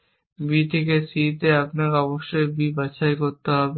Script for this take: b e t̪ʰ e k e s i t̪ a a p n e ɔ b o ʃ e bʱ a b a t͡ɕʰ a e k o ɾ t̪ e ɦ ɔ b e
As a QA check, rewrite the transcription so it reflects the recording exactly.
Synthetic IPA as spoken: b i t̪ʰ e k e s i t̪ e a p n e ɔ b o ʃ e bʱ i b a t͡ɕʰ a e k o ɾ t̪ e ɦ ɔ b e

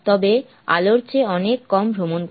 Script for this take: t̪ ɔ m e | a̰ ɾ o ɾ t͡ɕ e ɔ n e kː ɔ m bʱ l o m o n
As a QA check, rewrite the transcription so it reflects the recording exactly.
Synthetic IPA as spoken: t̪ ɔ b e | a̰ l o ɾ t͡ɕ e ɔ n e kː ɔ m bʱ ɾ o m o n

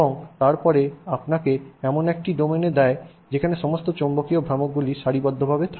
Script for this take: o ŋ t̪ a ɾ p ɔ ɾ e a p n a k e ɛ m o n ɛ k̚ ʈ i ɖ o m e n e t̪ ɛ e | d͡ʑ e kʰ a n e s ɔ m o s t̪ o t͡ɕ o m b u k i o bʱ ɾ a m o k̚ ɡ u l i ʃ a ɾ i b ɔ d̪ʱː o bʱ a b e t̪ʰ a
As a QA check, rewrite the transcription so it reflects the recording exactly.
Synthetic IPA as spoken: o ŋ t̪ a ɾ p ɔ ɾ e a p n a k e ɛ m o n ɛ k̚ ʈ i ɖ o m e n e d̪ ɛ e | d͡ʑ e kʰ a n e ʃ ɔ m o s t̪ o t͡ɕ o m b o k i o bʱ ɾ a m o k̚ ɡ u l i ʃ a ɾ i b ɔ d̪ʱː o bʱ a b e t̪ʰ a

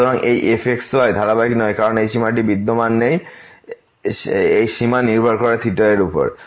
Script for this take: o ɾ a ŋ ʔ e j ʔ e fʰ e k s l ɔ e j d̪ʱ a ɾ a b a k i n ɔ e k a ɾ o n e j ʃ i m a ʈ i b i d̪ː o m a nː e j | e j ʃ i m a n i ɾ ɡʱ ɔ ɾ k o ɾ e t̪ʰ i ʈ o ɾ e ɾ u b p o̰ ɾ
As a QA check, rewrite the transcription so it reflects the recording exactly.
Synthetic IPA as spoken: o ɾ a ŋ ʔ e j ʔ e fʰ e k s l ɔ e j d̪ʱ a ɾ a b a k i n ɔ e k a ɾ o n e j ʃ i m a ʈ i b i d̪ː o m a nː e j | e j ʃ i m a n i ɾ bʱ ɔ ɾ k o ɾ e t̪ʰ i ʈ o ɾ e ɾ u p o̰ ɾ

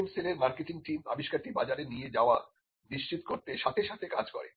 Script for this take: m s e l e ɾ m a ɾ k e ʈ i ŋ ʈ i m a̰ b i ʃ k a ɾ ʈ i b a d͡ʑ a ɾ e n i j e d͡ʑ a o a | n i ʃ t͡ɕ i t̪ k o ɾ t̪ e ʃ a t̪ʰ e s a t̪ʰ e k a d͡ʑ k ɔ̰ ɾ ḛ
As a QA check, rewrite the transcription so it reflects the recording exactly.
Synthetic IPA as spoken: m s e l e ɾ m a ɾ k e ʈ i ŋ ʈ i m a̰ b i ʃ k a ɾ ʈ i b a d͡ʑ a ɾ e n i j e d͡ʑ a o a | n i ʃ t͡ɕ i t̪ k o ɾ t̪ e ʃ a t̪ʰ e ʃ a t̪ʰ e k a d͡ʑ k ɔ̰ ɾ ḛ

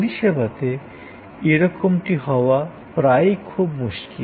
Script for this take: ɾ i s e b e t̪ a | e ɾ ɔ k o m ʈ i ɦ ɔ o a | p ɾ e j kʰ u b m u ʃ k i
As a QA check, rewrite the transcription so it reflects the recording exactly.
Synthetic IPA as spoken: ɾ i ʃ e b a t̪ e | e ɾ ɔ k o m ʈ i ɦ ɔ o a | p ɾ a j kʰ u b m u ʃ k i

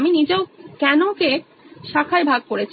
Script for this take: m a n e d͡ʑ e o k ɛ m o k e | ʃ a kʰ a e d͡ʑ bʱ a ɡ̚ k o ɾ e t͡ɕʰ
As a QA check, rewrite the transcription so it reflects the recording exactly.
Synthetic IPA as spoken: m i n i d͡ʑ e o k ɛ n o k e | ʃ a kʰ a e bʱ a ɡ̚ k o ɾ e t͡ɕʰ

